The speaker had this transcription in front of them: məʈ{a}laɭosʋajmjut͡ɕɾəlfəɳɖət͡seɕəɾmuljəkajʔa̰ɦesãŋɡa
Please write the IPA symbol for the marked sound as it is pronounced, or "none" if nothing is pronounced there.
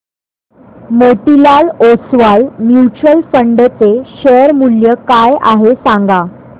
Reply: i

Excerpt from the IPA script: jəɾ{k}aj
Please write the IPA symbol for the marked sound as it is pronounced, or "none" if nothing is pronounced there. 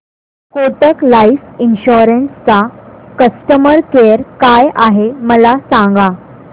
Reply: k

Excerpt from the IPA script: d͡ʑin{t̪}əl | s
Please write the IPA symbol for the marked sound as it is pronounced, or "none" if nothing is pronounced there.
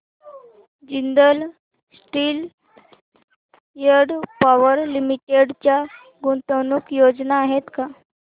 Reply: d̪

